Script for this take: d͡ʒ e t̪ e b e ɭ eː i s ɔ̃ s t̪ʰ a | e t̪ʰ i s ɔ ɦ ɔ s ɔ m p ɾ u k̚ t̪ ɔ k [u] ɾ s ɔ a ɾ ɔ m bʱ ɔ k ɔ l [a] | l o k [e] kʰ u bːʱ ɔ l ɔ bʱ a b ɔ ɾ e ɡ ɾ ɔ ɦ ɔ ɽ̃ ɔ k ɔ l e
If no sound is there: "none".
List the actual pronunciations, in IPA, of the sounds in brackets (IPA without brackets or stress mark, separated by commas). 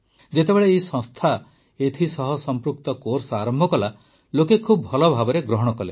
o, a, e